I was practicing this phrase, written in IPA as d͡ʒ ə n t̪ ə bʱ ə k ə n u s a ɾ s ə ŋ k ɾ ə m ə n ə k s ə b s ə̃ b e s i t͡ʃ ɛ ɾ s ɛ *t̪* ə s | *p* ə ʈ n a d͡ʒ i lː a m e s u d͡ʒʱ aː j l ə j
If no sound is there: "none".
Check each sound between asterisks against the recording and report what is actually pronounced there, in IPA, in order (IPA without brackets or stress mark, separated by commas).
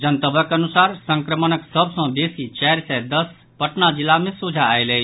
d̪, p